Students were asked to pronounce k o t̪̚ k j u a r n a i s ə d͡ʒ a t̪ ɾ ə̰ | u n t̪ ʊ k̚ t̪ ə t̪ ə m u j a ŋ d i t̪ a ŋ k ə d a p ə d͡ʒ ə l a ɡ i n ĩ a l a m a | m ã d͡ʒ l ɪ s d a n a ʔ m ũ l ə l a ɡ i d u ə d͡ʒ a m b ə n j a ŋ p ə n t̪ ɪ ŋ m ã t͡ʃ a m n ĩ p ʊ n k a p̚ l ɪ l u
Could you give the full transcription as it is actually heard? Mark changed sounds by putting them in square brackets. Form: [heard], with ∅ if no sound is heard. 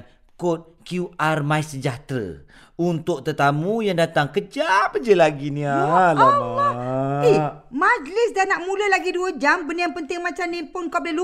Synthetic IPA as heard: k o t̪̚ k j u a r [m] a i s ə d͡ʒ a t̪ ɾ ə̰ | u n t̪ ʊ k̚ t̪ ə t̪ [a] m u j a ŋ d [a] t̪ a ŋ k ə [d͡ʒ] a p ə d͡ʒ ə l a ɡ i n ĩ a l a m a | m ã d͡ʒ l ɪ s d a n a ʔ m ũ l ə l a ɡ i d u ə d͡ʒ a m b ə n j a ŋ p ə n t̪ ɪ ŋ m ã t͡ʃ a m n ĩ p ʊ n k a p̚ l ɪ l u